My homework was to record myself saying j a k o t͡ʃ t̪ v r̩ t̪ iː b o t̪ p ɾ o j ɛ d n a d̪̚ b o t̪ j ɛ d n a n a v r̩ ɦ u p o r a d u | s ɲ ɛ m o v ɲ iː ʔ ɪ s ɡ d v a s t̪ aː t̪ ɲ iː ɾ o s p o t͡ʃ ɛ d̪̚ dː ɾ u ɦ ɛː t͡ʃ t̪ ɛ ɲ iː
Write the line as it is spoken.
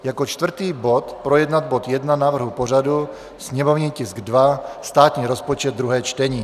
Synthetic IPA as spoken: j a k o t͡ʃ t̪ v r̩ t̪ iː b o t̪ p ɾ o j ɛ d n a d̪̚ b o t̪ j ɛ d n a n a v r̩ ɦ u p o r a d u | s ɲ ɛ m o v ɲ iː c ɪ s ɡ d v a s t̪ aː t̪ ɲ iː ɾ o s p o t͡ʃ ɛ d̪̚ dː ɾ u ɦ ɛː t͡ʃ t̪ ɛ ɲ iː